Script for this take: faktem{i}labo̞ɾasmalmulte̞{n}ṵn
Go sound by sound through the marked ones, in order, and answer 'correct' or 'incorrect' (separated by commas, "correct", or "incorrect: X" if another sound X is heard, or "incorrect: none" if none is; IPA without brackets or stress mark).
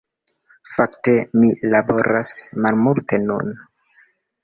correct, correct